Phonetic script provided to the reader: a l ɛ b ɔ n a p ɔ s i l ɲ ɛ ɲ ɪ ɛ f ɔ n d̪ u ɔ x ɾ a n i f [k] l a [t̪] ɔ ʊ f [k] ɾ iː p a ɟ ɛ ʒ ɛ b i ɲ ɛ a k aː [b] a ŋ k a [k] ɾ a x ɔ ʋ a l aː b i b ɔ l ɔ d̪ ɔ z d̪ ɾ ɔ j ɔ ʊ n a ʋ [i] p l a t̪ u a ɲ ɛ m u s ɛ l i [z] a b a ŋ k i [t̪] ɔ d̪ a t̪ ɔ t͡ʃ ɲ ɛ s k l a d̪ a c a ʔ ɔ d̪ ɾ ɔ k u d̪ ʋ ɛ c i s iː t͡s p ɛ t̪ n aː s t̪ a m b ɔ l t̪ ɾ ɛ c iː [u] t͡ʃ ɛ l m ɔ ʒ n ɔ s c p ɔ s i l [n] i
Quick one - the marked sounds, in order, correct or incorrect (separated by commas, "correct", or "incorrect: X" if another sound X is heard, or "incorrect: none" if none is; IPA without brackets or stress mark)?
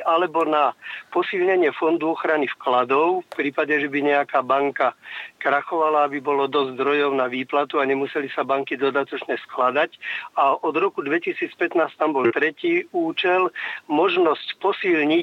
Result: correct, incorrect: d̪, incorrect: p, correct, correct, incorrect: iː, incorrect: s, incorrect: d̪, incorrect: uː, incorrect: ɲ